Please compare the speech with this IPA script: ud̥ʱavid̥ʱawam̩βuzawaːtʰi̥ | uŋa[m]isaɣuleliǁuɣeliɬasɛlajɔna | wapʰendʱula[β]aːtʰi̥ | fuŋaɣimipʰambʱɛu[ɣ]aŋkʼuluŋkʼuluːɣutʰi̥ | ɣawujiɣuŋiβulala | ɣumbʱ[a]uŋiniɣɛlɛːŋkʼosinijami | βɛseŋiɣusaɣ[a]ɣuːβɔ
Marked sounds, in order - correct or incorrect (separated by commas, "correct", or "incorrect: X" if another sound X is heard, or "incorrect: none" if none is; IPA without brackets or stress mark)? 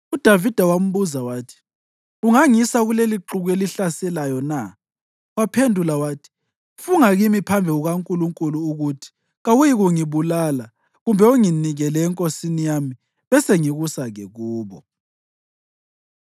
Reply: incorrect: ŋ, incorrect: w, correct, incorrect: ɛ, incorrect: ɛ